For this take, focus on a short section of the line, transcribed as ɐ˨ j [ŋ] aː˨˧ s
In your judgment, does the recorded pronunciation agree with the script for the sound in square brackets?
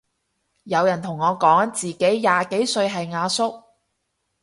yes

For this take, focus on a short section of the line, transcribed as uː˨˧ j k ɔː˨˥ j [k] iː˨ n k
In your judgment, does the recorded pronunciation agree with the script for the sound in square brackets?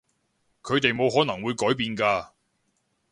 no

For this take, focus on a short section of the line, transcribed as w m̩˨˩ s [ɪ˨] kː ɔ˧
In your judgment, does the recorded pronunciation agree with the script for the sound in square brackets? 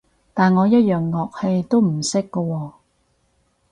no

